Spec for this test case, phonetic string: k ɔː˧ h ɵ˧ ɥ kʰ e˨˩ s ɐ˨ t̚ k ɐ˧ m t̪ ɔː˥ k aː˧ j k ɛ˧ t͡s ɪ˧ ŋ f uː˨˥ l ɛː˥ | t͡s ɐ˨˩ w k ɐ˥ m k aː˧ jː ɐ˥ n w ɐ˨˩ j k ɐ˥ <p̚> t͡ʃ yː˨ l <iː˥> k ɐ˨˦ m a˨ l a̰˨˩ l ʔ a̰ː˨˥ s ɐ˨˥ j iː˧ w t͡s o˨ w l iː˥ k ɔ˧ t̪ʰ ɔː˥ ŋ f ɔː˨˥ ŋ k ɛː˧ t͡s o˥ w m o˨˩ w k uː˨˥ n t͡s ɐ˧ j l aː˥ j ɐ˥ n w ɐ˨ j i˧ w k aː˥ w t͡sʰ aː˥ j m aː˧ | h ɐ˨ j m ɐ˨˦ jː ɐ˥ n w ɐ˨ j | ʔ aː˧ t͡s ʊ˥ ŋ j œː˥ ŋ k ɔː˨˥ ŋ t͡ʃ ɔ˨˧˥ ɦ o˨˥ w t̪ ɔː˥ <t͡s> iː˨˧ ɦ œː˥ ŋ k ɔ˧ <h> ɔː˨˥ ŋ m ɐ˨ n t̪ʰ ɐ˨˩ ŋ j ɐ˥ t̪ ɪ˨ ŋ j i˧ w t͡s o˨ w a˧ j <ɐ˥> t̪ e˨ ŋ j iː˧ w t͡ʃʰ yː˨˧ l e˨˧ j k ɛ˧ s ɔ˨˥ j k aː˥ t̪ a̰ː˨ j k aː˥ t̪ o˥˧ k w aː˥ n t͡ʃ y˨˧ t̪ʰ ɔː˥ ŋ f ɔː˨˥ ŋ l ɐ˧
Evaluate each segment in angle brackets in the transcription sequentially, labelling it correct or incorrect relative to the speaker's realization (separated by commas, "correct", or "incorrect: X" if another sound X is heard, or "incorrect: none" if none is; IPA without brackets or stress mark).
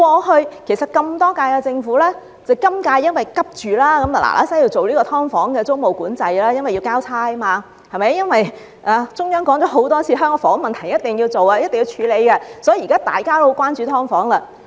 correct, incorrect: aː˥, incorrect: t͡sʰ, incorrect: f, correct